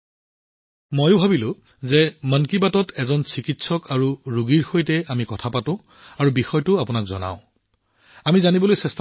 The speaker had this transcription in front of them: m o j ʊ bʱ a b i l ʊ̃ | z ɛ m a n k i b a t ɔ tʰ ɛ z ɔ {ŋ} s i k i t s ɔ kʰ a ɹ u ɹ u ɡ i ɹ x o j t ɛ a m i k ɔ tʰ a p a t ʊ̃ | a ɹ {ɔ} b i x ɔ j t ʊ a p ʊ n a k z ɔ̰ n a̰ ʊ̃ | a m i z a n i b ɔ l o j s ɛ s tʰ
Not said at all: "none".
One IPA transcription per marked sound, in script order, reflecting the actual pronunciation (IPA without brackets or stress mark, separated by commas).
n, u